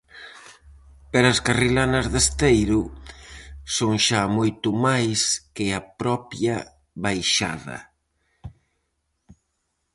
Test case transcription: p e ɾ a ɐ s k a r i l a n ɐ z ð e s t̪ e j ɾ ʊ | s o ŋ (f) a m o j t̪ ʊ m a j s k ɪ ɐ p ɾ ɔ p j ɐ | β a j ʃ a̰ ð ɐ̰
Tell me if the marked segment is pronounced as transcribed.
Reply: no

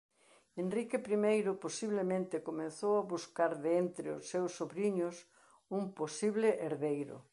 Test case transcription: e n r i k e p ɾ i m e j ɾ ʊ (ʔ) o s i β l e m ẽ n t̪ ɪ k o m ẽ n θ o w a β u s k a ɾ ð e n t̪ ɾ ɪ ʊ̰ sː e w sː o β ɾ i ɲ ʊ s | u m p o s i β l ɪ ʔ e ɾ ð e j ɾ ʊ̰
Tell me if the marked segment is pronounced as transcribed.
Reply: no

